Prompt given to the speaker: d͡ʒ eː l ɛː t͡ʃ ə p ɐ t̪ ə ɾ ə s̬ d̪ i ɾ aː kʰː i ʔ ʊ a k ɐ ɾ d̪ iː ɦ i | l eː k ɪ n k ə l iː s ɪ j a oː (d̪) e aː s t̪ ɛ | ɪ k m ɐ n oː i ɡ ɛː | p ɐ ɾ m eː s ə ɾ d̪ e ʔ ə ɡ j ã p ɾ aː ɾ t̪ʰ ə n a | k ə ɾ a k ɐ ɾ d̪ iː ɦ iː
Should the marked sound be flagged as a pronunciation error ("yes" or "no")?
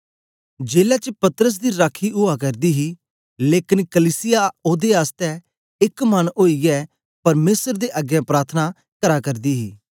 no